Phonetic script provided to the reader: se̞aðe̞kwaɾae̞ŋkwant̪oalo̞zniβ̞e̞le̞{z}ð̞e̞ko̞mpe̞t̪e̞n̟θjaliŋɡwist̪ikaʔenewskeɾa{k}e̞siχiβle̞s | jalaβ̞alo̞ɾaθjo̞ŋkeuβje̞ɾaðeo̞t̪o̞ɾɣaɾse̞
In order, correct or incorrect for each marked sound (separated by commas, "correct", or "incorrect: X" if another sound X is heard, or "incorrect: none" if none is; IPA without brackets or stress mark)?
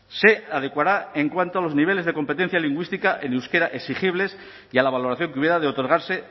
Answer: correct, incorrect: ʔ